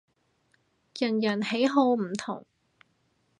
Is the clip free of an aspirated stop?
no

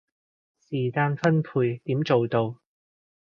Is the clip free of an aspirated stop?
no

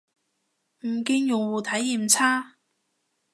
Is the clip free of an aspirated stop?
no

